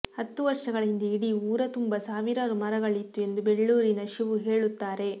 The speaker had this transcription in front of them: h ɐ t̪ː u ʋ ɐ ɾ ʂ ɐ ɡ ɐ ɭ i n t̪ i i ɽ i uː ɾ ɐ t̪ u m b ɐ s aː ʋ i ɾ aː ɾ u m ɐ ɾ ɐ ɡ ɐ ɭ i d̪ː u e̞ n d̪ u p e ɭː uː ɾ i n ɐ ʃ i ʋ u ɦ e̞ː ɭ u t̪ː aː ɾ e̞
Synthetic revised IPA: h ɐ t̪ː u ʋ ɐ ɾ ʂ ɐ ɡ ɐ ɭ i n d̪ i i ɽ i uː ɾ ɐ t̪ u m b ɐ s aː ʋ i ɾ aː ɾ u m ɐ ɾ ɐ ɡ ɐ ɭ i t̪ː u e̞ n d̪ u b e ɭː uː ɾ i n ɐ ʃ i ʋ u ɦ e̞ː ɭ u t̪ː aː ɾ e̞

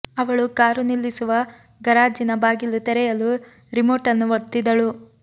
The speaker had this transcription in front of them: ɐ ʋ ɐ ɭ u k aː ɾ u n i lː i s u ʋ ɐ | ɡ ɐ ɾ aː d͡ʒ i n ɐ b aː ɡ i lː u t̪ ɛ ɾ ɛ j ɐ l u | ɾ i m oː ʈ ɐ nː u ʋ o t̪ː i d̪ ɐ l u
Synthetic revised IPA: ɐ ʋ ɐ ɭ u k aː ɾ u n i lː i s u ʋ ɐ | ɡ ɐ ɾ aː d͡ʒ i n ɐ b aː ɡ i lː u t̪ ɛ ɾ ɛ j ɐ l u | ɾ i m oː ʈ ɐ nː u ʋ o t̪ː i d̪ ɐ ɭ u

